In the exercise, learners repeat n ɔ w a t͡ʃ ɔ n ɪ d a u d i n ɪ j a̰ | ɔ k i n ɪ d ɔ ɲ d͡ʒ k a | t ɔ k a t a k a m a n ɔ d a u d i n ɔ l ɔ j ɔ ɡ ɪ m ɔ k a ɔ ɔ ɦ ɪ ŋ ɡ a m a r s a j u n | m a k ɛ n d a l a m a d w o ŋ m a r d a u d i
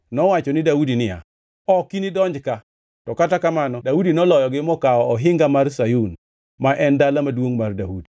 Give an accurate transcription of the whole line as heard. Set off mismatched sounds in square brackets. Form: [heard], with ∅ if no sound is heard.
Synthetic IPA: n ɔ w a t͡ʃ ɔ n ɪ d a u d i n ɪ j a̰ | ɔ k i n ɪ d ɔ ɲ d͡ʒ k a | t ɔ k a t a k a m a n ɔ d a u d i n ɔ l ɔ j ɔ ɡ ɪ m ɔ k a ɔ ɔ ɦ ɪ ŋ ɡ a m a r s a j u n | m a [ʔ] ɛ n d a l a m a d w o ŋ m a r d a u d i